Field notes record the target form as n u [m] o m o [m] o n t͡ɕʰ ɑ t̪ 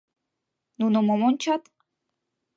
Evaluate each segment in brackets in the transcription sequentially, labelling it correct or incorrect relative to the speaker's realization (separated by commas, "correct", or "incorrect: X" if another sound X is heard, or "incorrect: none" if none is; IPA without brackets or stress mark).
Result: incorrect: n, correct